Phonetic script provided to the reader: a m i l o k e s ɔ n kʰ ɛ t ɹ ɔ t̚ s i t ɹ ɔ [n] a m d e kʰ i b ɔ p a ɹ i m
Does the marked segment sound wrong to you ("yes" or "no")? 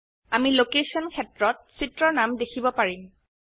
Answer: no